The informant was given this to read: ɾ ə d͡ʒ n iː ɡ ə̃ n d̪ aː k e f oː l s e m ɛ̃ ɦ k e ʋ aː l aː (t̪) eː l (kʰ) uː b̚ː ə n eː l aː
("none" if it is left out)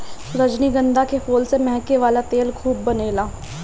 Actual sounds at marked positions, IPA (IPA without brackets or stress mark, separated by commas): t̪, kʰ